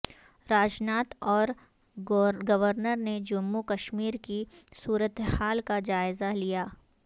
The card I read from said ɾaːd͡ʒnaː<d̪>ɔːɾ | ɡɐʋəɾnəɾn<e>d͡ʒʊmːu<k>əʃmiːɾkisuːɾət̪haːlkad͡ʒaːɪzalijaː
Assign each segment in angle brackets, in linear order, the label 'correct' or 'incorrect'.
incorrect, correct, correct

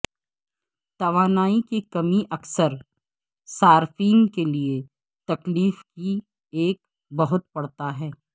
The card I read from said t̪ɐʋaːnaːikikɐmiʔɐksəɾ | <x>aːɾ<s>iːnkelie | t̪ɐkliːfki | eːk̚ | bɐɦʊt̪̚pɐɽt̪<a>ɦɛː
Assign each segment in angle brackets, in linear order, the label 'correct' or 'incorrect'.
incorrect, incorrect, correct

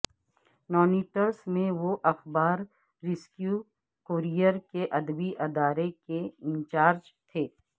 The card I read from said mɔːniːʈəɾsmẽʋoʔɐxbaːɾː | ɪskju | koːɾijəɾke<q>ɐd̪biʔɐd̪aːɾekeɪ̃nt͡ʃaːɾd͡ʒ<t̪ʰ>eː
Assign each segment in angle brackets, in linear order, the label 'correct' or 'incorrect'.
incorrect, correct

